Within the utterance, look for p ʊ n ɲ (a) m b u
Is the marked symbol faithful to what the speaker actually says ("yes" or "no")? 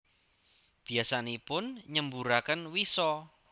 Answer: no